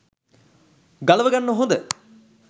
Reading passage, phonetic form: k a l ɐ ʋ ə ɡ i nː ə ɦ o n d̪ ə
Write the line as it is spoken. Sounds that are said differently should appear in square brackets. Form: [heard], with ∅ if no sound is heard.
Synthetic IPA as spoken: [ɡ] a l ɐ ʋ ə ɡ [a] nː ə ɦ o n d̪ ə